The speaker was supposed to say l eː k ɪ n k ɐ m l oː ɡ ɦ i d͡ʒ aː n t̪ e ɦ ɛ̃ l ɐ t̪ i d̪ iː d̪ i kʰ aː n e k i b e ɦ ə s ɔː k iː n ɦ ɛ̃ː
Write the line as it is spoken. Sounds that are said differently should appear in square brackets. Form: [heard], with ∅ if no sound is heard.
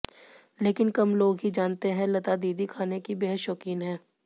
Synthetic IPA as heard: l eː k ɪ n k ɐ m l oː ɡ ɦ i d͡ʒ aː n t̪ e ɦ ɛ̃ l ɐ t̪ [a] d̪ iː d̪ i kʰ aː n e k i b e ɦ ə [ʃ] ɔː k iː n ɦ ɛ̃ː